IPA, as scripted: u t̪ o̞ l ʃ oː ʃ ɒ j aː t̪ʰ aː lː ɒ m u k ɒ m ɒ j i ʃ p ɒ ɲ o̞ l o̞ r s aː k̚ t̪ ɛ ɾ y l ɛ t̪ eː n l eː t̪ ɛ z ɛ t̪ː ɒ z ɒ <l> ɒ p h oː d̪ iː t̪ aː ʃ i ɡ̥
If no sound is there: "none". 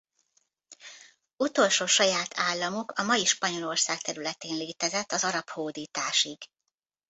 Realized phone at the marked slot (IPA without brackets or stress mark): ɾ